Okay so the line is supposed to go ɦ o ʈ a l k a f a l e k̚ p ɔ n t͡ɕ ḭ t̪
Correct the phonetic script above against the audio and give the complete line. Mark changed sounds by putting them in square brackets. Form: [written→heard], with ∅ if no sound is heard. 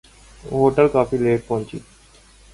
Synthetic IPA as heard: ɦ o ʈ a l k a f [a→i] l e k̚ p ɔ n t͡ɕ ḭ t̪